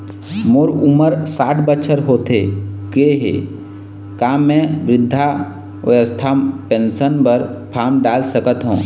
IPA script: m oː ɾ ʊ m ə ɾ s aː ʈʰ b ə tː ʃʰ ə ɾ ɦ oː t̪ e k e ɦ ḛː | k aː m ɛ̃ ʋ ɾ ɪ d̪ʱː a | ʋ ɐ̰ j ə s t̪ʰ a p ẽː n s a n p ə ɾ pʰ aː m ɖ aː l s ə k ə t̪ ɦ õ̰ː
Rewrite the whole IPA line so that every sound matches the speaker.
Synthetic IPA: m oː ɾ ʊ m ə ɾ s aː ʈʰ b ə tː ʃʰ ə ɾ ɦ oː t̪ e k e ɦ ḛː | k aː m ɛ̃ ʋ ɾ ɪ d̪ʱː a | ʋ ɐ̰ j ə s t̪ʰ a p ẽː n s ə n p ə ɾ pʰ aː m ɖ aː l s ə k ə t̪ ɦ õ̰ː